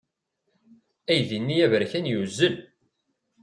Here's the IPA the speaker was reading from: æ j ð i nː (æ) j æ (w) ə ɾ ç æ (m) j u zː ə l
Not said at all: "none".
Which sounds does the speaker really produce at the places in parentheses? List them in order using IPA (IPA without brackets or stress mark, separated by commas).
i, v, n